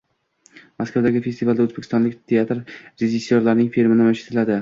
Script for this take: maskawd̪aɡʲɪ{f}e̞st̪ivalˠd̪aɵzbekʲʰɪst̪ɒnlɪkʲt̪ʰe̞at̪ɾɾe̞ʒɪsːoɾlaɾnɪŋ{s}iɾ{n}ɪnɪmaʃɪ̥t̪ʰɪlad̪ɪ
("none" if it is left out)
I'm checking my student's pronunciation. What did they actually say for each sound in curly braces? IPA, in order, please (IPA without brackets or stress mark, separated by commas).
f, f, m